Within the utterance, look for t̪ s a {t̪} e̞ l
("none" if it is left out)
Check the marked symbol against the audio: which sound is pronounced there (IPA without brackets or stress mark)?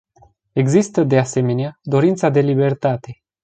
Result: d̪